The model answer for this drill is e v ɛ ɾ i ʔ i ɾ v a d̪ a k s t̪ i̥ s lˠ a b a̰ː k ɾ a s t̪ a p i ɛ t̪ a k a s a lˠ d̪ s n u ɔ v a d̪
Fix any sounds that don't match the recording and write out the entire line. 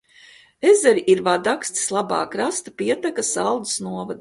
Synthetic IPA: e z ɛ ɾ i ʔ i ɾ v a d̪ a k s t̪ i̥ s lˠ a b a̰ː k ɾ a s t̪ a p i ɛ t̪ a k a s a lˠ d̪ s n u ɔ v a d̪